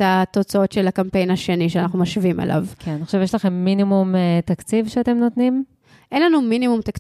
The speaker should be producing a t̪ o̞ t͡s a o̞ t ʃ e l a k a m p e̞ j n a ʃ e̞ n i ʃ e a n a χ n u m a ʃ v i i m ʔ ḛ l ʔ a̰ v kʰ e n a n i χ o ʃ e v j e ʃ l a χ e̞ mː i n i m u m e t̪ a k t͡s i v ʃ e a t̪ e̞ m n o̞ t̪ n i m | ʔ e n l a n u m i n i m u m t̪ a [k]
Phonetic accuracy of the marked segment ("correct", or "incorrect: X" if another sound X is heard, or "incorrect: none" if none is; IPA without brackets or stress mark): correct